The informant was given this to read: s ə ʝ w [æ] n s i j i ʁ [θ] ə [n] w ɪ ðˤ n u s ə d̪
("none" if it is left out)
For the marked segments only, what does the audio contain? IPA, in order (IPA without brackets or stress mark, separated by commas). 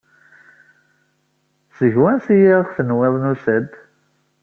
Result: æ, θ, n